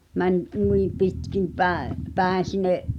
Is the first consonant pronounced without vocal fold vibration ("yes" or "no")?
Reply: no